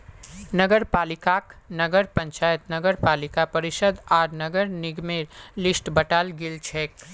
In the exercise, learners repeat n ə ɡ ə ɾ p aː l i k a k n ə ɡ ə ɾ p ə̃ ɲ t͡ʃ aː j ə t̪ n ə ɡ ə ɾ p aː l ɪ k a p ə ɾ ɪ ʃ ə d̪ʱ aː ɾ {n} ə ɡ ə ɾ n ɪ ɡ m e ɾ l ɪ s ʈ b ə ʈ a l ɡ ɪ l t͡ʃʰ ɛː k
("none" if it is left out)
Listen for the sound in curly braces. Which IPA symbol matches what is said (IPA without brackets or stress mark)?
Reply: n